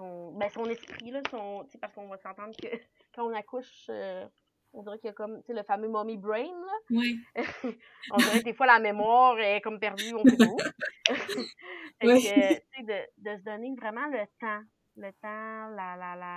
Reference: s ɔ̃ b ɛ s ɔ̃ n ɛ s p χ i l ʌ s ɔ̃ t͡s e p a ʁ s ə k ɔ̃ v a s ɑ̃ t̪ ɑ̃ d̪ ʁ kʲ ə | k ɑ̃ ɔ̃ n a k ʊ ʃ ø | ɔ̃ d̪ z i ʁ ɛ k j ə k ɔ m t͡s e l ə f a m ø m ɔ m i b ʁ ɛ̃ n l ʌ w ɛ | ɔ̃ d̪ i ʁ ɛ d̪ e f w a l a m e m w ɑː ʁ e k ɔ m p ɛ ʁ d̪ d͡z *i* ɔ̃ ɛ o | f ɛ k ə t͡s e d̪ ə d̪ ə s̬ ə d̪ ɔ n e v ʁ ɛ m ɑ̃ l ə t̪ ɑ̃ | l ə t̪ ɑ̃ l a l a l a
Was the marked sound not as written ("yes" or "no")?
yes